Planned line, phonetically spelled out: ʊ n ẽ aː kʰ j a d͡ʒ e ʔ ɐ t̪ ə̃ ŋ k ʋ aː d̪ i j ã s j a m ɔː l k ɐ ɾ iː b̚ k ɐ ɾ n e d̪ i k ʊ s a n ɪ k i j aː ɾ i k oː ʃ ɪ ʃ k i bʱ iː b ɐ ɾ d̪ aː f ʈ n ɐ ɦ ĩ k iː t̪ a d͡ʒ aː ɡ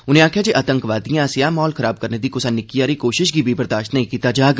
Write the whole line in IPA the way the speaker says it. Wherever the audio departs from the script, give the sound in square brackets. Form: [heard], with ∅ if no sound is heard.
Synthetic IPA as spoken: ʊ n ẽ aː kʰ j a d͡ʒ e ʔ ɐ t̪ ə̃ ŋ k ʋ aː d̪ i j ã s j a m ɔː l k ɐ ɾ [aː] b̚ k ɐ ɾ n e d̪ i k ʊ s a n ɪ k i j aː ɾ i k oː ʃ ɪ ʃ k i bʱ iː b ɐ ɾ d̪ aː [ʃ] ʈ n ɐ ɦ ĩ k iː t̪ a d͡ʒ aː ɡ